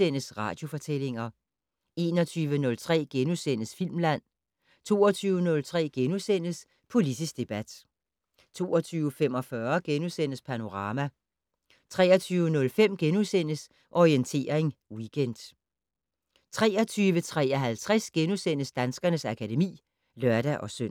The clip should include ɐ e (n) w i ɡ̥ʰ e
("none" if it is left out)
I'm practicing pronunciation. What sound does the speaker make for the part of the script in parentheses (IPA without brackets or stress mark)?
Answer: ŋ